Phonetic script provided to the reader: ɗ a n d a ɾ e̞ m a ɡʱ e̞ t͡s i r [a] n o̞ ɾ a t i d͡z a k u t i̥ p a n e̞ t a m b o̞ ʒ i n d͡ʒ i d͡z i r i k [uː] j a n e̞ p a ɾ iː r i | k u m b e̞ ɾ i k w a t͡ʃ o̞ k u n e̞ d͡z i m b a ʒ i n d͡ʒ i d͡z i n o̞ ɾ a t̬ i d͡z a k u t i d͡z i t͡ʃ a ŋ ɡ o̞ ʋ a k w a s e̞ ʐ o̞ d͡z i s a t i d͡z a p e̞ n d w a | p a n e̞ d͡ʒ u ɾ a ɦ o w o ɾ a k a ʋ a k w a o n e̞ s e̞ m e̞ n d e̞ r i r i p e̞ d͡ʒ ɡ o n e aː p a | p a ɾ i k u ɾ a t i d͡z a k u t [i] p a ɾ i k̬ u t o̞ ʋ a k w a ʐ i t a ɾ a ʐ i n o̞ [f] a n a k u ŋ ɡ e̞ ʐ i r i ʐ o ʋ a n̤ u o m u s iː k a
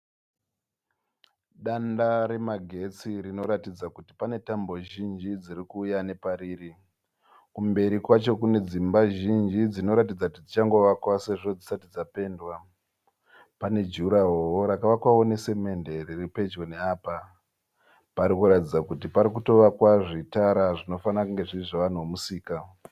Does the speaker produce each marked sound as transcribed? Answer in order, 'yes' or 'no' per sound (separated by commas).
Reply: no, yes, yes, yes